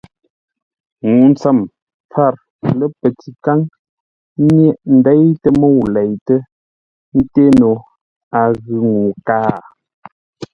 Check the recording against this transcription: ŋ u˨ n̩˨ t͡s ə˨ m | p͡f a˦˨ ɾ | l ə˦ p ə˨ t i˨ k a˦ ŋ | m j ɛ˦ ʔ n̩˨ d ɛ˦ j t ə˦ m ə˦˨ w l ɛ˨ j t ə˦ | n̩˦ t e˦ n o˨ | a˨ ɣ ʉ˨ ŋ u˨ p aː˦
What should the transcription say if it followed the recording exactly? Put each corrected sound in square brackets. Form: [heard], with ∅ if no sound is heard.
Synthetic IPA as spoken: ŋ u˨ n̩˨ t͡s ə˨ m | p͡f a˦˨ ɾ | l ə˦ p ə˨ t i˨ k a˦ ŋ | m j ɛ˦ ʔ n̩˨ d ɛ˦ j t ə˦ m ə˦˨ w l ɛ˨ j t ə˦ | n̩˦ t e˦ n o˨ | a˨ ɣ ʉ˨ ŋ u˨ [k] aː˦